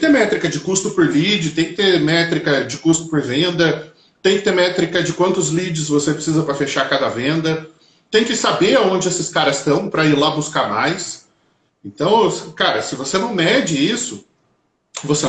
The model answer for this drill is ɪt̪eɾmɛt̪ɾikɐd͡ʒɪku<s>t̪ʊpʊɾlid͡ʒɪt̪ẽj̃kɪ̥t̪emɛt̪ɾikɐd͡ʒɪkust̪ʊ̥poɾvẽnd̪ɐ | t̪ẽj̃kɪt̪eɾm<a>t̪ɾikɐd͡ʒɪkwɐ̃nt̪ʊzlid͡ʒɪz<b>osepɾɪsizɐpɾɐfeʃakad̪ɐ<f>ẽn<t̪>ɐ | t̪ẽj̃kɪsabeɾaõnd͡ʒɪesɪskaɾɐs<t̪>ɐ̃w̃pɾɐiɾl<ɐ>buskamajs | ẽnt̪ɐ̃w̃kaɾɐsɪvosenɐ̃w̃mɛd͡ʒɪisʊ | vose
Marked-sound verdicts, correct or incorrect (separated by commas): correct, incorrect, incorrect, incorrect, incorrect, correct, incorrect